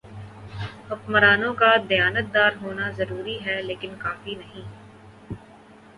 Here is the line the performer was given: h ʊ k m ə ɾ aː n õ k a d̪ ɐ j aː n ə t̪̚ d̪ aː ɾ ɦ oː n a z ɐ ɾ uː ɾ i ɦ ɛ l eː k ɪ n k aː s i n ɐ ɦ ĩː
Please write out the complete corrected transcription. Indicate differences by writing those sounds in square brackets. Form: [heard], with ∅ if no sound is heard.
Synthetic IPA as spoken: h ʊ k m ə ɾ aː n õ k a d̪ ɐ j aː n ə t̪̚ d̪ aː ɾ ɦ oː n a z ɐ ɾ uː ɾ i ɦ ɛ l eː k ɪ n k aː [f] i n ɐ ɦ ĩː

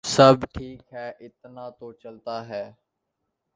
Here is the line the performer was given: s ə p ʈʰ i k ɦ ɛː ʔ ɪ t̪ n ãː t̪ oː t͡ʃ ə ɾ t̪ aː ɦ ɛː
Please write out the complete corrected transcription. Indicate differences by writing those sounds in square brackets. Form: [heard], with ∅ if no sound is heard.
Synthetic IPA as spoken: s ə [b] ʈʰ [iː] k ɦ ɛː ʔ ɪ t̪ n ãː t̪ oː t͡ʃ ə [l] t̪ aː ɦ ɛː

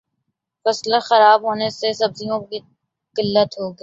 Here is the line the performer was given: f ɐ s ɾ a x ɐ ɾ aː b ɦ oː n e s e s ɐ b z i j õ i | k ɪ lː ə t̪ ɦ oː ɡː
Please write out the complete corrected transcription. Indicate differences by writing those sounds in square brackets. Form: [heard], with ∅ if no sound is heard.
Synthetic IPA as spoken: f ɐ s [l] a x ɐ ɾ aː b ɦ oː n e s e s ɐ b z i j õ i | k ɪ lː ə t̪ ɦ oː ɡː

